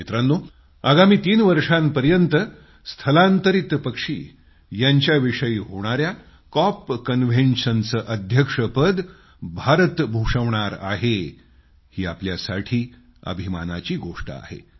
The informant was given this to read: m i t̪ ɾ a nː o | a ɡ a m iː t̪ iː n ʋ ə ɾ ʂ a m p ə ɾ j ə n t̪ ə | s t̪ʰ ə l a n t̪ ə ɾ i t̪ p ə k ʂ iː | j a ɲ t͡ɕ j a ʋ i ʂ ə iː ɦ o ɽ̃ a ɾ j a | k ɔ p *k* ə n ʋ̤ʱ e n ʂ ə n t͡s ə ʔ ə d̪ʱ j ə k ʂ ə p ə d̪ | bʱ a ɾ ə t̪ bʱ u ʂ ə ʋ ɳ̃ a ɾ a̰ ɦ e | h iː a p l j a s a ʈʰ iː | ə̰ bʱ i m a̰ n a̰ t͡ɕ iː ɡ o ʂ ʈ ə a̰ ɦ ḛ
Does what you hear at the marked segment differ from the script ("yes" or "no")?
no